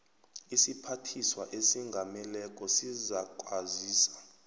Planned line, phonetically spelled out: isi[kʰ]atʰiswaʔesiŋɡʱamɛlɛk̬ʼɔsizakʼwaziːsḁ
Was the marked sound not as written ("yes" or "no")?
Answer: yes